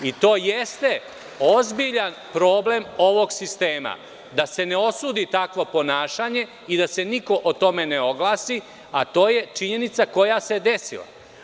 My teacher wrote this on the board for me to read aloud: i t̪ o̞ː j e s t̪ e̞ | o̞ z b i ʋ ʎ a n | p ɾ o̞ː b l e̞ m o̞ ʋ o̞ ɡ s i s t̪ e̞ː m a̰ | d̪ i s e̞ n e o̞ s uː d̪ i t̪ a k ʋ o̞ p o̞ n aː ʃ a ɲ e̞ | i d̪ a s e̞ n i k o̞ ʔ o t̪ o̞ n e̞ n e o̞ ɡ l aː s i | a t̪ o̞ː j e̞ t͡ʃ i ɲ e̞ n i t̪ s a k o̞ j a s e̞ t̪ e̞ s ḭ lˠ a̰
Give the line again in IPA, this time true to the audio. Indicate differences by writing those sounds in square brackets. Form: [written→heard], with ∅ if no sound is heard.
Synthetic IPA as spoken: i t̪ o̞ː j e s t̪ e̞ | o̞ z b i [ʋ→∅] ʎ a n | p ɾ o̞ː b l e̞ m o̞ ʋ o̞ ɡ s i s t̪ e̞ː m a̰ | d̪ [i→a] s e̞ n e o̞ s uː d̪ i t̪ a k ʋ o̞ p o̞ n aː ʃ a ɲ e̞ | i d̪ a s e̞ n i k o̞ ʔ o t̪ o̞ [n→m] e̞ n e o̞ ɡ l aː s i | a t̪ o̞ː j e̞ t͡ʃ i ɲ e̞ n i t̪ s a k o̞ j a s e̞ [t̪→d̪] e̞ s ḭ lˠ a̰

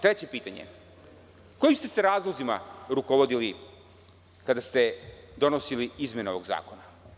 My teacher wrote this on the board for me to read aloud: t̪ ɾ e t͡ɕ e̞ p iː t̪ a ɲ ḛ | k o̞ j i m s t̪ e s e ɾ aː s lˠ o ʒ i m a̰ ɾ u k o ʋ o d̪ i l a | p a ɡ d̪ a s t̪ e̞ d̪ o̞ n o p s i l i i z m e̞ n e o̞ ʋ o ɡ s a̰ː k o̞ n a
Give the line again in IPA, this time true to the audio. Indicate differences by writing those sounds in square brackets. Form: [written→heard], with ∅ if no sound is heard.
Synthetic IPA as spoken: t̪ ɾ e t͡ɕ e̞ p iː t̪ a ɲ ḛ | k o̞ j i m s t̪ e s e ɾ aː [s→z] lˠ o [ʒ→z] i m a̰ ɾ u k o ʋ o d̪ i l [a→i] | [p→k] a [ɡ→∅] d̪ a s t̪ e̞ d̪ o̞ n o [p→∅] s i l i i z m e̞ n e o̞ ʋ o ɡ [s→z] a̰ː k o̞ n a

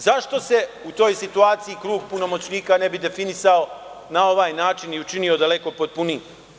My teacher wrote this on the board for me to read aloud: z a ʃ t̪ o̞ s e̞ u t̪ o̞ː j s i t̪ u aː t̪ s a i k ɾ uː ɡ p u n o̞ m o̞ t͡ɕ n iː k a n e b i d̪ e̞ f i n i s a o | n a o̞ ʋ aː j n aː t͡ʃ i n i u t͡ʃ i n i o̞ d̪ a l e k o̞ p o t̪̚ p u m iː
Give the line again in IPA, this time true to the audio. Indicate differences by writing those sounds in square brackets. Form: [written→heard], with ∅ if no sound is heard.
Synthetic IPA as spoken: z a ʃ t̪ o̞ s e̞ u t̪ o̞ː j s i t̪ u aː t̪ s [a→i] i k ɾ uː ɡ p u n o̞ m o̞ t͡ɕ n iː k a n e b i d̪ e̞ f i n i s a o | n a o̞ ʋ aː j n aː t͡ʃ i n i u t͡ʃ i n i o̞ d̪ a l e k o̞ p o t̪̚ p u [m→n] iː

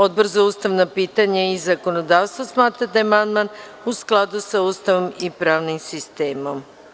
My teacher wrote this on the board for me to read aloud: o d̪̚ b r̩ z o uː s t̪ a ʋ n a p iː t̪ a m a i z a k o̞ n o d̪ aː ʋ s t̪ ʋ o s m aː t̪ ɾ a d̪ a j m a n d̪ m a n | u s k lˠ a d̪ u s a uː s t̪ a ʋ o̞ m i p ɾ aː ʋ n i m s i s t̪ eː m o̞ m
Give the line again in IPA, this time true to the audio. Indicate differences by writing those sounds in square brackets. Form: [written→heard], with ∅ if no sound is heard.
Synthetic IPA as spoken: o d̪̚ b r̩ z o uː s t̪ a ʋ n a p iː t̪ a [m→ɲ] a i z a k o̞ n o d̪ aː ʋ s t̪ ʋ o s m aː t̪ ɾ a d̪ a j m a n d̪ m a n | u s k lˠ a d̪ u s a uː s t̪ a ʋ o̞ m i p ɾ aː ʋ n i m s i s t̪ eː m o̞ m

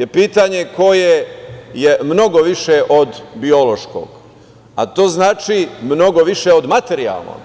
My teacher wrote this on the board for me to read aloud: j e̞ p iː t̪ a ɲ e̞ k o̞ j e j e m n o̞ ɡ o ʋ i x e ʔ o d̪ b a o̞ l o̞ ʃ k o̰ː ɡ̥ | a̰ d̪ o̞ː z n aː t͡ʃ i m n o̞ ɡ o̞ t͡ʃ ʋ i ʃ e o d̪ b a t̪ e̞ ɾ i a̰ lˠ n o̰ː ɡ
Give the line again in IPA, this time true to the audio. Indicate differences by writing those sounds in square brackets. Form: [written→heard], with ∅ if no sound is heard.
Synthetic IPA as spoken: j e̞ p iː t̪ a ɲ e̞ k o̞ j e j e m n o̞ ɡ o ʋ i [x→ʃ] e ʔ o d̪ b [a→i] o̞ l o̞ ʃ k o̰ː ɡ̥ | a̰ [d̪→t̪] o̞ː z n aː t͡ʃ i m n o̞ ɡ o̞ [t͡ʃ→∅] ʋ i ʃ e o d̪ [b→m] a t̪ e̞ ɾ i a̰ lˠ n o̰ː ɡ

